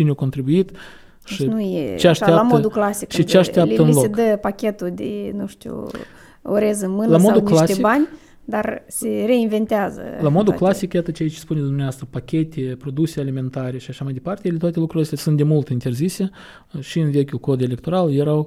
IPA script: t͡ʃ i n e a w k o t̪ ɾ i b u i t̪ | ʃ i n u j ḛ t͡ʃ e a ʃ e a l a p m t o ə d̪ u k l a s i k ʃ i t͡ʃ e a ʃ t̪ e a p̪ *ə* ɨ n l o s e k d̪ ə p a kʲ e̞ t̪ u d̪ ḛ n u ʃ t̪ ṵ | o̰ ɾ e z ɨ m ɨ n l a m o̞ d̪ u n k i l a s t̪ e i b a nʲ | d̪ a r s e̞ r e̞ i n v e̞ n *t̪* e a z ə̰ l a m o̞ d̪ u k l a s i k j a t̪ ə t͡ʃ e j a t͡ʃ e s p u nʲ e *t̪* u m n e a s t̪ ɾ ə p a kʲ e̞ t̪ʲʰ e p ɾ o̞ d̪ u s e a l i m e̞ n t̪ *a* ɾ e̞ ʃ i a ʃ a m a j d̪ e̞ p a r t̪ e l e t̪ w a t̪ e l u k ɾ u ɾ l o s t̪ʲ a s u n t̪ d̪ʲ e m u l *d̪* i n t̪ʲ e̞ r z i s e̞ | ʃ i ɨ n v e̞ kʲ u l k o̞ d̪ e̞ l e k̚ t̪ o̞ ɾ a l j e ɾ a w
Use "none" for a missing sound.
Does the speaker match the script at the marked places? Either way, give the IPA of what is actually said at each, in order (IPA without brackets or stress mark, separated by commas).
ə, t̪, d̪, a, t̪